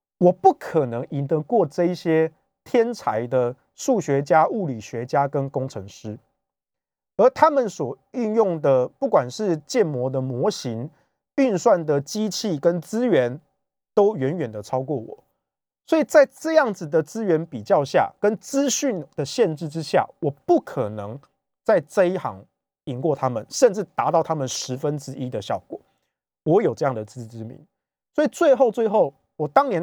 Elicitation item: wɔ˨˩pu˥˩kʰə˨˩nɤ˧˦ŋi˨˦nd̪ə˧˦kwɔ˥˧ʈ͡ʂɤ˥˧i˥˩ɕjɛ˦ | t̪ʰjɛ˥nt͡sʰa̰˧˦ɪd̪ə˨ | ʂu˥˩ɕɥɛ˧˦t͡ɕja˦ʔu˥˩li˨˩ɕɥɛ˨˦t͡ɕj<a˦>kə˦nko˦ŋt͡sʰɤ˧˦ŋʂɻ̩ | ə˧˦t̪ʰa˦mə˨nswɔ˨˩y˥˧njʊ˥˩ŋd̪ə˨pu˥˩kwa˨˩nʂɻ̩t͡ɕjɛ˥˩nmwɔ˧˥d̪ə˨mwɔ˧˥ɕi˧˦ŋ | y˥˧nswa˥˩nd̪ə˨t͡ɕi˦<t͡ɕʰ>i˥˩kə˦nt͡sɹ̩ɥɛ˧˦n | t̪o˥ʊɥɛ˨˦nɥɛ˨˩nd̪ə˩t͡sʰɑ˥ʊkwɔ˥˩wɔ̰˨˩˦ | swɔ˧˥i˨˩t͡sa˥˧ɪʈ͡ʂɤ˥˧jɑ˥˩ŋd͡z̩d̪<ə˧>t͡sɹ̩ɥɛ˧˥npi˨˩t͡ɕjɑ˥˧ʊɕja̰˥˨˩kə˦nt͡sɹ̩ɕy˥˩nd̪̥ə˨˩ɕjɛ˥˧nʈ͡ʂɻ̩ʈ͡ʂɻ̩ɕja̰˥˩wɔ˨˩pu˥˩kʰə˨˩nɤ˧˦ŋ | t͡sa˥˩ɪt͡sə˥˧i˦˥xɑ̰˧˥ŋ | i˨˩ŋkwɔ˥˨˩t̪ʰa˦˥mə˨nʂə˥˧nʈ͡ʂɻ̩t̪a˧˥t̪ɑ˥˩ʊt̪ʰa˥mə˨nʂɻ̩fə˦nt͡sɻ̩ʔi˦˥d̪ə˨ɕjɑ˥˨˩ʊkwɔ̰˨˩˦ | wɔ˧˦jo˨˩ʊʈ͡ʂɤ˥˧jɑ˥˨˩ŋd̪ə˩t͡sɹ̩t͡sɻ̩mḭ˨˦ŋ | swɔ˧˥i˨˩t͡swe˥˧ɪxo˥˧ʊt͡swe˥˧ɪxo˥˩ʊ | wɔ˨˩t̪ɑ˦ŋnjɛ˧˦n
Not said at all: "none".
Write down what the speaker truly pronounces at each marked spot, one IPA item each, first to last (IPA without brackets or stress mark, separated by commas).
a˦, t͡ɕʰ, ə˩